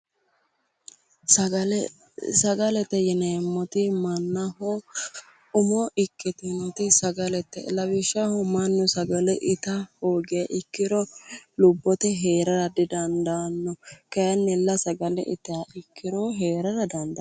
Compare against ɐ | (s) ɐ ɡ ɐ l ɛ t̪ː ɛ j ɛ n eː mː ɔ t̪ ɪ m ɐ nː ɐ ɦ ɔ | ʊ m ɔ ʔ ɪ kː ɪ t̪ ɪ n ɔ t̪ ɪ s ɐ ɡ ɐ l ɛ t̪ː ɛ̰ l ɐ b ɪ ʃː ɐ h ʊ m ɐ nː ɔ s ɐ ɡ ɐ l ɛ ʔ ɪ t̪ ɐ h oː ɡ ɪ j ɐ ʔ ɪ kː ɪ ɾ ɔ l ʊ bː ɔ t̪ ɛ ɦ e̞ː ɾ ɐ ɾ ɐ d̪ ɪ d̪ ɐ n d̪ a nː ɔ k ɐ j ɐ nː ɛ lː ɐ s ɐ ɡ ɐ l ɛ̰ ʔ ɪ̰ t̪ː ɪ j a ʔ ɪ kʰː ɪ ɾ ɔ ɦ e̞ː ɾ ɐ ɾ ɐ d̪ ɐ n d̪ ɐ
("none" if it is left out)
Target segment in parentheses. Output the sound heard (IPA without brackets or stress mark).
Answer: s